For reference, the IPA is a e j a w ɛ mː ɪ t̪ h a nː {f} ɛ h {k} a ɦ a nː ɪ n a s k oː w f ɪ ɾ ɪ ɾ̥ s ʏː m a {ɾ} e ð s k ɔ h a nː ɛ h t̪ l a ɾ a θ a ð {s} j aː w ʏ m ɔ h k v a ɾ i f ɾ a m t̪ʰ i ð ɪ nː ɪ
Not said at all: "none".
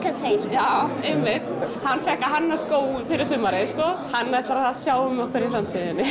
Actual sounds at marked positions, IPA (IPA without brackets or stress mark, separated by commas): f, k, ɾ, s